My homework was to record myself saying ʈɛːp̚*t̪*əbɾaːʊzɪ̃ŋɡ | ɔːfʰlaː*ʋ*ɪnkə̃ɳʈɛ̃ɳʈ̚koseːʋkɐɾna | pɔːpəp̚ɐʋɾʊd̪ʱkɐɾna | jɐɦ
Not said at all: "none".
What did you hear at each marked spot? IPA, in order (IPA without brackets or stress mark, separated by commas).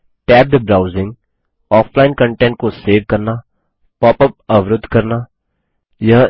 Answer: d̪, none